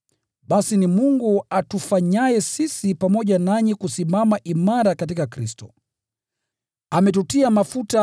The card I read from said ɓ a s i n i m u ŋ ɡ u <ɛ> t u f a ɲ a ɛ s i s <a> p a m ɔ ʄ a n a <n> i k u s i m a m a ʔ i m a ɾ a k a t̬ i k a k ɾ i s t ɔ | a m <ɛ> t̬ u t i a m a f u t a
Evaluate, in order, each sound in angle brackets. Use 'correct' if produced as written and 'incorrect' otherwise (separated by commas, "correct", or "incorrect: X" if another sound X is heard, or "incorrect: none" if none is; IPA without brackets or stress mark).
incorrect: a, incorrect: i, incorrect: ɲ, correct